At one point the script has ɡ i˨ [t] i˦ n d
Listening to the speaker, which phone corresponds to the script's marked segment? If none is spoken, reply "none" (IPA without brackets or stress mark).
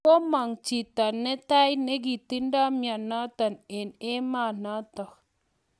t